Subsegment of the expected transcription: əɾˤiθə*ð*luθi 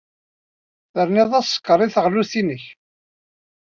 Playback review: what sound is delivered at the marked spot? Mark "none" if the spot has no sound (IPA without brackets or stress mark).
ʁ